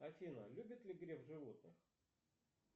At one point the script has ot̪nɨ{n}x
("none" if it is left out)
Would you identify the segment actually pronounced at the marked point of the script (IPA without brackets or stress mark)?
none